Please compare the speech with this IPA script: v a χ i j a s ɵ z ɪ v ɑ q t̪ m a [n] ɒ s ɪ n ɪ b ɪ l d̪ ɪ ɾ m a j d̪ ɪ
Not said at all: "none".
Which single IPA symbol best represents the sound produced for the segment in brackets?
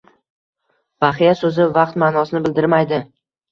n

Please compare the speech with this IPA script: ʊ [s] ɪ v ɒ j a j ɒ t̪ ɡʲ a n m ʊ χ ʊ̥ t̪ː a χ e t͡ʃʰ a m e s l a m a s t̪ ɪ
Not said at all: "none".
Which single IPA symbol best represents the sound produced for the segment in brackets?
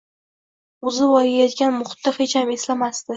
z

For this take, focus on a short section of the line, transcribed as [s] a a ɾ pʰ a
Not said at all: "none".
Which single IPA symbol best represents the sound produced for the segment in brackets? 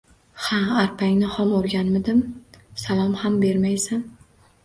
h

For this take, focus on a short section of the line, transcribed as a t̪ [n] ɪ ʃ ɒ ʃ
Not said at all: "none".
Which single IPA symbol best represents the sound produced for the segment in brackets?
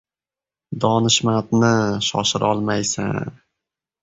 n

